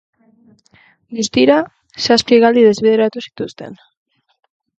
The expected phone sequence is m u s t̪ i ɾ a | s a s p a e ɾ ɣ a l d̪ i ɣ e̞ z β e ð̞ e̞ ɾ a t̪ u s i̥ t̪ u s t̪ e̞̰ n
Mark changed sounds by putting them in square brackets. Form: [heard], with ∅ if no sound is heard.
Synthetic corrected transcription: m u s t̪ i ɾ a | s a s p [i] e [∅] ɣ a l d̪ i [ð] e̞ z β e ð̞ e̞ ɾ a t̪ u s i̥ t̪ u s t̪ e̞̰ n